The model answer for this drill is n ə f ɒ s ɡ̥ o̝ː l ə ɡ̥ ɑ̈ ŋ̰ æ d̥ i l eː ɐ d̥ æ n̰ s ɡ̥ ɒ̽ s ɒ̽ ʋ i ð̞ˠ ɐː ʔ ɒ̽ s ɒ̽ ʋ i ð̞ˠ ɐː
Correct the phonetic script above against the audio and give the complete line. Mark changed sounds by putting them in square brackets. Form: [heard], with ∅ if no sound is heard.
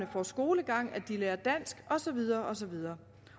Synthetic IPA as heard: n ə f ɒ s ɡ̥ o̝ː l ə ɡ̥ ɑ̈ ŋ̰ æ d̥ i l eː ɐ d̥ æ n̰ s ɡ̥ ɒ̽ s ɒ̽ ʋ i ð̞ˠ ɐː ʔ ɒ̽ s ɒ̽ ʋ i ð̞ˠ ɐː